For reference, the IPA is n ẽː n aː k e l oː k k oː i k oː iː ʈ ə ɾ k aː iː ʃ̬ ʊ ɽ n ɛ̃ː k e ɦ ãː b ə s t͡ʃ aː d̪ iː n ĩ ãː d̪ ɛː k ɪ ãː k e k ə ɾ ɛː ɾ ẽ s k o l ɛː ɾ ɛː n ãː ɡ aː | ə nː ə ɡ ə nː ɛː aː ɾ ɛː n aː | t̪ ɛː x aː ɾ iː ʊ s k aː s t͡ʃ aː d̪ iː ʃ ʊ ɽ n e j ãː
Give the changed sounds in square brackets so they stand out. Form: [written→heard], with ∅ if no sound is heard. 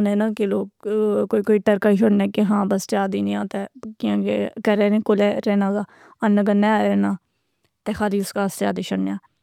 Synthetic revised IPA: n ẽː n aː k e l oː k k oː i k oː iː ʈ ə ɾ k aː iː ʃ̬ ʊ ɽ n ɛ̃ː k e ɦ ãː b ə s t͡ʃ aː d̪ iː n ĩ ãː [d̪→t̪] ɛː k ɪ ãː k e k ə ɾ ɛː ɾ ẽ [s→∅] k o l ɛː ɾ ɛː n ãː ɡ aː | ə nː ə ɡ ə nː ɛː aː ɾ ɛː n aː | t̪ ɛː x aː [ɾ→l] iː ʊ s k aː s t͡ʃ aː d̪ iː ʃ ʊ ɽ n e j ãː